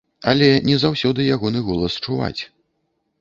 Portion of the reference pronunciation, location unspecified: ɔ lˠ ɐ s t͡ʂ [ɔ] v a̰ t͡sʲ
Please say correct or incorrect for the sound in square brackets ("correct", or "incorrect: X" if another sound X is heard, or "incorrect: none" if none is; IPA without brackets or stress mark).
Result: incorrect: u